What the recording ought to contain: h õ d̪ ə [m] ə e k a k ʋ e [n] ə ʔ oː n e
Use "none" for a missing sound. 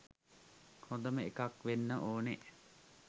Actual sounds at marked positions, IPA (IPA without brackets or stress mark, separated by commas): m, nː